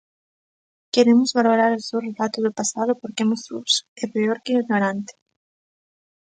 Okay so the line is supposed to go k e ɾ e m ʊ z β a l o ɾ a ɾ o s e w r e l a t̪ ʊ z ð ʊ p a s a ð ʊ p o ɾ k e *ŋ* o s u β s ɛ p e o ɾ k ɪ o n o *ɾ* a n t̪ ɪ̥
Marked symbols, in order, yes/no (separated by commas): no, yes